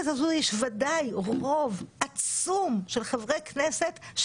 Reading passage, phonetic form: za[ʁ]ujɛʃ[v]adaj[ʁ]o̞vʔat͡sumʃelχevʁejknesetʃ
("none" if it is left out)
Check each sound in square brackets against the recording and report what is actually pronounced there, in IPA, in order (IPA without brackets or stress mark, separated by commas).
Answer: z, v, ʁ